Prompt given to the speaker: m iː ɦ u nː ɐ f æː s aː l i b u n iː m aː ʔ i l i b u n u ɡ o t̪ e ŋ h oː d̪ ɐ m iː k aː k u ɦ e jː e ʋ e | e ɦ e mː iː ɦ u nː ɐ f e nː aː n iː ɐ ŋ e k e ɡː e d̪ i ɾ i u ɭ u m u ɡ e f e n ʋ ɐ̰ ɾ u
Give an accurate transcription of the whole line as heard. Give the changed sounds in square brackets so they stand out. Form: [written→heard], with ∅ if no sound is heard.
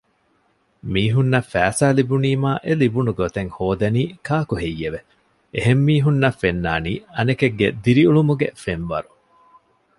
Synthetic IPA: m iː ɦ u nː ɐ f æː s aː l i b u n iː m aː ʔ [i→e] l i b u n u ɡ o t̪ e ŋ h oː d̪ ɐ [m→n] iː k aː k u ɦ e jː e ʋ e | e ɦ e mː iː ɦ u nː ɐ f e nː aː n iː ɐ [ŋ→n] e k e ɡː e d̪ i ɾ i u ɭ u m u ɡ e f e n ʋ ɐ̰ ɾ u